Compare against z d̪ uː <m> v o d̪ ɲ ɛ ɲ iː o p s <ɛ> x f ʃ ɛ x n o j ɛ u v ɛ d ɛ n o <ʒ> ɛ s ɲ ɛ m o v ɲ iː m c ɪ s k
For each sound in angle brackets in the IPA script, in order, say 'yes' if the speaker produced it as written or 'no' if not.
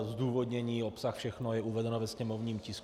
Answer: no, no, no

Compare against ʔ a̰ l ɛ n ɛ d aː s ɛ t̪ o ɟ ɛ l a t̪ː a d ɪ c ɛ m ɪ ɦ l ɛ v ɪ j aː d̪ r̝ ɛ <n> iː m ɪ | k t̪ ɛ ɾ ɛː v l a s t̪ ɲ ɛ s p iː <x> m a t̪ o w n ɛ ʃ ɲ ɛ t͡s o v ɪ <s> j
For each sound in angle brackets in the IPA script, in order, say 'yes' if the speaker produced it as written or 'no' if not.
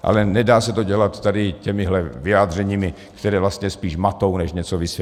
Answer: no, no, yes

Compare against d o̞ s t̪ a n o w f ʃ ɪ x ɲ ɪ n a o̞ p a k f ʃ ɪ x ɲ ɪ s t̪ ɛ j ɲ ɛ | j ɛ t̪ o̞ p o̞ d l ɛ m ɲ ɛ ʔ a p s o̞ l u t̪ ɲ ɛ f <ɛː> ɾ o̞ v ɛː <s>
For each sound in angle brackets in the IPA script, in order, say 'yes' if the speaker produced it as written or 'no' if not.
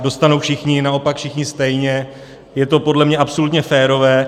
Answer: yes, no

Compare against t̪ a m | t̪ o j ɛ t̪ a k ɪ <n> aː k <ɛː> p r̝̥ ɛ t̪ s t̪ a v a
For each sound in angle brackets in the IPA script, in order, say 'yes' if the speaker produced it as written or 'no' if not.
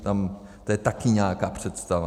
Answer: no, no

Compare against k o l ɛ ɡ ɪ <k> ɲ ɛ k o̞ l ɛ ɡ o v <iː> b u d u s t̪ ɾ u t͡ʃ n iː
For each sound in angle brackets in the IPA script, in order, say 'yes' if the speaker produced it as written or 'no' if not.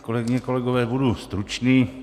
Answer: no, no

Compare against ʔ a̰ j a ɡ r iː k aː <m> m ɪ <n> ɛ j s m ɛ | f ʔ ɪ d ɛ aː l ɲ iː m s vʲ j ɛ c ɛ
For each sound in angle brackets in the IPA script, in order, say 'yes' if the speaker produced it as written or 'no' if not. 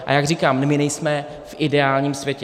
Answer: yes, yes

